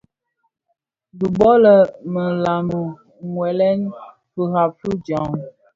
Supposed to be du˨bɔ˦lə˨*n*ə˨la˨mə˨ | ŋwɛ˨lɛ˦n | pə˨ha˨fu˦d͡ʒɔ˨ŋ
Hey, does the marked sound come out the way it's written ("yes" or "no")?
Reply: no